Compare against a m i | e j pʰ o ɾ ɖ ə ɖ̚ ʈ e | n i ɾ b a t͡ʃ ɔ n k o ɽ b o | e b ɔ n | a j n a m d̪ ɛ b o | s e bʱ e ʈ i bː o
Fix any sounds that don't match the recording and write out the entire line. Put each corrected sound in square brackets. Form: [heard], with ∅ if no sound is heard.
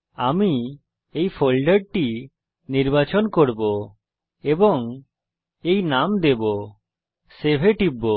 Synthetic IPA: a m i | e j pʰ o [l] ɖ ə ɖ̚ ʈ [i] | n i ɾ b a t͡ʃ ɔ n k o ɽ b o | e b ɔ [ŋ] | [e] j n a m d̪ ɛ b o | s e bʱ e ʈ i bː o